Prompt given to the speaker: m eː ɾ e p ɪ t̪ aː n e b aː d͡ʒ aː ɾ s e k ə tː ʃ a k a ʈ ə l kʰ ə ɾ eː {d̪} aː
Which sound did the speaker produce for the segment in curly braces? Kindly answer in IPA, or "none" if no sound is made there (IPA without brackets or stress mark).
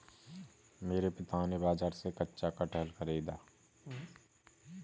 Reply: d̪